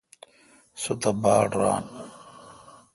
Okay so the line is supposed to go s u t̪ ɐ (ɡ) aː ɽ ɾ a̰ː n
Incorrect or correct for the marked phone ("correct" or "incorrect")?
incorrect